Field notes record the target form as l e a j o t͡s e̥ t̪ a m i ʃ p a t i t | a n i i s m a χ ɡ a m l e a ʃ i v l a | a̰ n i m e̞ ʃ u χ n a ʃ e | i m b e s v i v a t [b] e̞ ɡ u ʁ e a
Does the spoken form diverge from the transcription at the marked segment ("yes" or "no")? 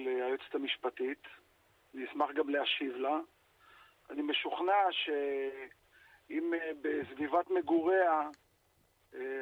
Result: yes